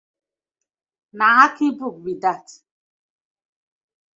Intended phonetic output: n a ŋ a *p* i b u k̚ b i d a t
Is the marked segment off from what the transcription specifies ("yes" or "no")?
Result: yes